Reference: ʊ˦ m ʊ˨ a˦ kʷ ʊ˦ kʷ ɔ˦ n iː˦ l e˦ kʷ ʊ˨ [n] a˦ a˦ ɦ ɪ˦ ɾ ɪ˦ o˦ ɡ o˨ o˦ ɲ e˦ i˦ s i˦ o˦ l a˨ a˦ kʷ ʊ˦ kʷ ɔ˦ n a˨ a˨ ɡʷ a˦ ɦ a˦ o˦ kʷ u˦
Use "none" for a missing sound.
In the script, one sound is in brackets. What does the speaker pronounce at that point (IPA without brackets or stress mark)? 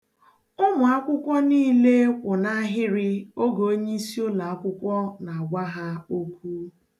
n